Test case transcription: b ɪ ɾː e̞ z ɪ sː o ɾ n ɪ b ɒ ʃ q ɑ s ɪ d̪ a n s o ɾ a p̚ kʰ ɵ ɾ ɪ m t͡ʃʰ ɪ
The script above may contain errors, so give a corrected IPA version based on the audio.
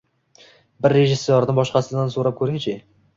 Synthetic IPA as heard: b ɪ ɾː e̞ ʒ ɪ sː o ɾ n ɪ b ɒ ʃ q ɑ s ɪ d̪ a n s o ɾ a p̚ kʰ ɵ ɾ ɪ ŋ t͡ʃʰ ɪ